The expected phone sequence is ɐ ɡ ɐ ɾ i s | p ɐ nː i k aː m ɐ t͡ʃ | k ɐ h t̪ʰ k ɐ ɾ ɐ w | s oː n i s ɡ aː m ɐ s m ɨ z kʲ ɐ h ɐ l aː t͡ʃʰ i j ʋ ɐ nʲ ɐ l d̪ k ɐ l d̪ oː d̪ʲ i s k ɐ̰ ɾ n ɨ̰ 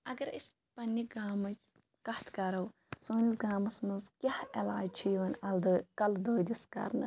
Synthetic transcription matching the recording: ɐ ɡ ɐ ɾ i s | p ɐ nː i ɡ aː m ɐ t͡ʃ | k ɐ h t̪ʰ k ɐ ɾ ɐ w | s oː n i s ɡ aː m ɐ s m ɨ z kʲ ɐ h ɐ l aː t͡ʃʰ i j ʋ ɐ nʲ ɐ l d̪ k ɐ l d̪ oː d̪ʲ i s k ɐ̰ ɾ n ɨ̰